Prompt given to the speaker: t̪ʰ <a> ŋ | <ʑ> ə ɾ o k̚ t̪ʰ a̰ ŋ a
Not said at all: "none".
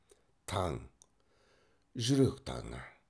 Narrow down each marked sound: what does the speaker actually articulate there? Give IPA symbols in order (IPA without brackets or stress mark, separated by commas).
a, ʑ